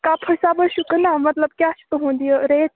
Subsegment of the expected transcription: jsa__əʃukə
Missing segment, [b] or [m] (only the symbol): b